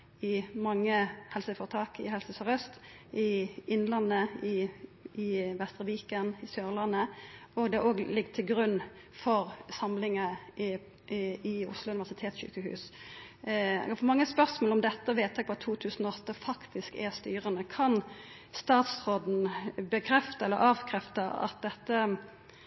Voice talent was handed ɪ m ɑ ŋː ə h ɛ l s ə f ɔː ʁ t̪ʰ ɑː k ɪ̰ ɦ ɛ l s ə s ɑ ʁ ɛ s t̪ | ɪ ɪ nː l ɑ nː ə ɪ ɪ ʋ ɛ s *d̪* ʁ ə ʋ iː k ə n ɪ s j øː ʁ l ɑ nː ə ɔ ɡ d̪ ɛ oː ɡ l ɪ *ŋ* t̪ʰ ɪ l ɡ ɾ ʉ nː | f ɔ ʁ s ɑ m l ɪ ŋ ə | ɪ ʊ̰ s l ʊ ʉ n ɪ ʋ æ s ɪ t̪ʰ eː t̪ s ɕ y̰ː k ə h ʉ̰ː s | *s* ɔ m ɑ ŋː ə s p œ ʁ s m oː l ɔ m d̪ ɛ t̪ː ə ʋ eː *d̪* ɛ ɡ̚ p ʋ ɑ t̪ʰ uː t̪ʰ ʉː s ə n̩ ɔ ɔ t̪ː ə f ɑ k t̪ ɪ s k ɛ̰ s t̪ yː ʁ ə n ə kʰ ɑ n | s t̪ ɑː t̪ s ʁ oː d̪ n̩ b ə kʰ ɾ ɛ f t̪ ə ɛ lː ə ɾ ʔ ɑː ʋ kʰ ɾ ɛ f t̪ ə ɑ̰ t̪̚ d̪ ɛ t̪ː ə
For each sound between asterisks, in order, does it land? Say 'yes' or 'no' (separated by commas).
no, no, no, no